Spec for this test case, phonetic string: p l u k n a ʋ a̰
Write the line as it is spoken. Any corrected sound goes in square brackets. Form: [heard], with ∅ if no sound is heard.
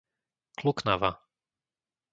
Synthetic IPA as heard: [k] l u k n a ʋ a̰